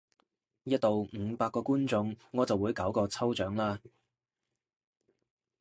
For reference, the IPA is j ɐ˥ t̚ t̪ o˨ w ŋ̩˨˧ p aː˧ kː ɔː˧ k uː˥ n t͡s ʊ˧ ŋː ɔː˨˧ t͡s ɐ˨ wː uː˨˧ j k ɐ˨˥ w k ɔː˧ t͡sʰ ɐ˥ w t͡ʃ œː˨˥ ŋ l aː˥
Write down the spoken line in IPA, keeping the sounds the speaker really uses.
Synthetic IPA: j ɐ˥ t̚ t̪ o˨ w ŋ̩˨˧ p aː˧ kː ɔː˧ k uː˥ n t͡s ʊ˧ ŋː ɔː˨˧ t͡s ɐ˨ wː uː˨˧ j k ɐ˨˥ w k ɔː˧ t͡sʰ ɐ˥ w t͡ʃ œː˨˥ ŋ l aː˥